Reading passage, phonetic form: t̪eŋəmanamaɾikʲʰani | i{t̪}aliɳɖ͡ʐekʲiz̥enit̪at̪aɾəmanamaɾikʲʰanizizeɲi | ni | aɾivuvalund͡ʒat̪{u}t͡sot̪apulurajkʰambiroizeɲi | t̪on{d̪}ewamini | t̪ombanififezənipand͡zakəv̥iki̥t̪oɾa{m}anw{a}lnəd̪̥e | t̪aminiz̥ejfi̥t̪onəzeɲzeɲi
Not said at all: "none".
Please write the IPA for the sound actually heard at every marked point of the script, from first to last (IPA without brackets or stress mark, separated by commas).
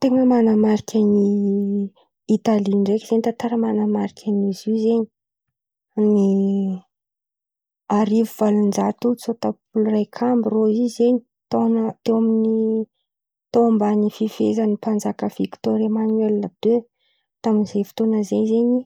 t̪, u, t̪, m, e